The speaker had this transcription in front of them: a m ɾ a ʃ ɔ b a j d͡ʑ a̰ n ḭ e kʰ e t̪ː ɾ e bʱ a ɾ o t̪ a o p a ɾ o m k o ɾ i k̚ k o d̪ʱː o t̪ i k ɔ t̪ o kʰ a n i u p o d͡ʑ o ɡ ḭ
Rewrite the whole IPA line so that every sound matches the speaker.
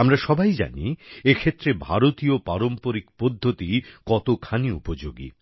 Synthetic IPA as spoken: a m ɾ a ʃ ɔ b a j d͡ʑ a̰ n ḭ e kʰ e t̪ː ɾ e bʱ a ɾ o t̪ i o p a ɾ o m p o ɾ i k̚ p o d̪ʱː o t̪ i k ɔ t̪ o kʰ a n i u p o d͡ʑ o ɡ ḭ